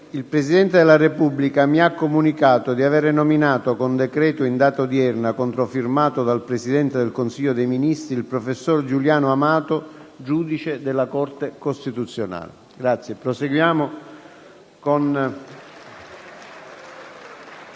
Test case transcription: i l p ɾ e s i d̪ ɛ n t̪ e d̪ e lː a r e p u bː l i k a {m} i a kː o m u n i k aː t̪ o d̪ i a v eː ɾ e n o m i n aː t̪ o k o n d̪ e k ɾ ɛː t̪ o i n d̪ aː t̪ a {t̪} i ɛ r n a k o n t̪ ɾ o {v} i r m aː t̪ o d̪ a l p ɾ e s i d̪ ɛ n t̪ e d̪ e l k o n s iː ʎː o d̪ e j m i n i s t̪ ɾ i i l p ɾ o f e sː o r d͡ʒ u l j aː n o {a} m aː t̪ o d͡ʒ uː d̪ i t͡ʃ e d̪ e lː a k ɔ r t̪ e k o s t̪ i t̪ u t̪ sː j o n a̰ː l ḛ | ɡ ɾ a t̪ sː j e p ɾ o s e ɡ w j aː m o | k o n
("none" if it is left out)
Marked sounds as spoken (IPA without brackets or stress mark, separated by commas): m, d̪, f, a